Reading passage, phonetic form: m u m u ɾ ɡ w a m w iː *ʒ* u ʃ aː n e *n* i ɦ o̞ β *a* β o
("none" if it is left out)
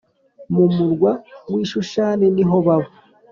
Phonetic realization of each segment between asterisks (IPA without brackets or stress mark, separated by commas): ʃ, n, a